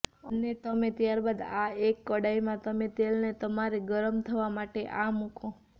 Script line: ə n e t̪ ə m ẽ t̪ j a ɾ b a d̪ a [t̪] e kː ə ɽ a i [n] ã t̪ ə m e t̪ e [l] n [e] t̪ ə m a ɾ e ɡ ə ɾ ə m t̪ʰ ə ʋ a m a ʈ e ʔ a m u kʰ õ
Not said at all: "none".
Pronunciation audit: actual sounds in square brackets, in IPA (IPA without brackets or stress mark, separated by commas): none, m, l, e